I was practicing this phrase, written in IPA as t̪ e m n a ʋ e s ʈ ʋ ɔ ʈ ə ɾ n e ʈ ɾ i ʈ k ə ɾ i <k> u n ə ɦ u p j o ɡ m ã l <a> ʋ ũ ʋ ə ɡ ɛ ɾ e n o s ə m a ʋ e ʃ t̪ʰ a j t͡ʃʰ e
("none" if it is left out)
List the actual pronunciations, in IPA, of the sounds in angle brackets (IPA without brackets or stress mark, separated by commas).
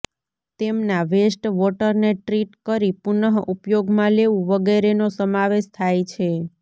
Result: p, e